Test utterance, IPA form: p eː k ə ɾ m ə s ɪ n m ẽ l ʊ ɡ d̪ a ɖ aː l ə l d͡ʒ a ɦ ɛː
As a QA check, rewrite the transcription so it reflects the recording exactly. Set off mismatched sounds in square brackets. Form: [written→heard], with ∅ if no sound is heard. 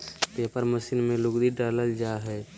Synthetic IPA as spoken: p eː [k→p] ə ɾ m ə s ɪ n m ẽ l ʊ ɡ d̪ [a→i] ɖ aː l ə l d͡ʒ a ɦ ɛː